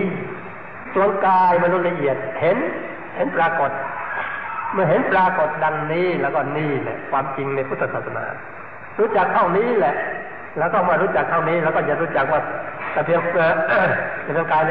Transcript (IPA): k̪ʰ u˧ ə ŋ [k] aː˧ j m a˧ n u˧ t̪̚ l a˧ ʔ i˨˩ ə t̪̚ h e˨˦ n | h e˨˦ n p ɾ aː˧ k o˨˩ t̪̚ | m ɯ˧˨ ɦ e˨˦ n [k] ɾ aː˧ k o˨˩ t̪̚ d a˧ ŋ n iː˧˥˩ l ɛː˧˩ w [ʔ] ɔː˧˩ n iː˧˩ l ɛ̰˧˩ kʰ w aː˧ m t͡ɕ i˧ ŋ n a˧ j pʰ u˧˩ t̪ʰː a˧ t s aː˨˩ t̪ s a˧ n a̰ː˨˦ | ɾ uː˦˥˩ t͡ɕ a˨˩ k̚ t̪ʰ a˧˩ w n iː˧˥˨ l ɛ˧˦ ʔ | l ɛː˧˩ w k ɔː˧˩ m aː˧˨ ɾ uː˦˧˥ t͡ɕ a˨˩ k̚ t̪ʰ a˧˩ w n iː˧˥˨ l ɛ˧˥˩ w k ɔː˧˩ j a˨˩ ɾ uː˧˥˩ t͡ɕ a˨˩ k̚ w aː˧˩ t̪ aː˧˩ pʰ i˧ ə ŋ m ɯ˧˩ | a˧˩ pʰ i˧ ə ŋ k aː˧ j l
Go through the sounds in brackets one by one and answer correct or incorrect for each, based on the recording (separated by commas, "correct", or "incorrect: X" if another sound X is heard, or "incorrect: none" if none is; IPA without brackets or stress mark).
correct, incorrect: p, incorrect: k